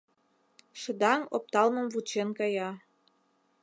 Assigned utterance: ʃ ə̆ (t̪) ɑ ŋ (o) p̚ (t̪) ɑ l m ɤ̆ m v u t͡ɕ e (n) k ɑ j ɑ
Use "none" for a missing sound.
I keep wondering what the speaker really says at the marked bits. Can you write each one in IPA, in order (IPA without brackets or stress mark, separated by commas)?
d̪, o, t̪, n